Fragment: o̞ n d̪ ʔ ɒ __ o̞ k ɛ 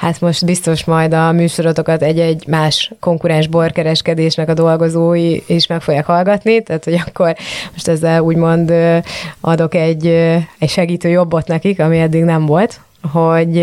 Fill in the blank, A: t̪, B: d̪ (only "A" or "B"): B